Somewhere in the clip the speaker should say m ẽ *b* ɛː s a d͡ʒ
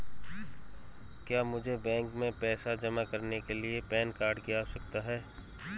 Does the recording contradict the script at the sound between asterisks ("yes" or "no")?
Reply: yes